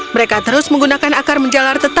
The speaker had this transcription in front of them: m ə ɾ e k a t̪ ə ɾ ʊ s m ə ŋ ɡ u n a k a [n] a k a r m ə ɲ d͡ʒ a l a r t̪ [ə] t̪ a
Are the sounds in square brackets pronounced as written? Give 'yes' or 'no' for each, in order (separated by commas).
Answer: yes, yes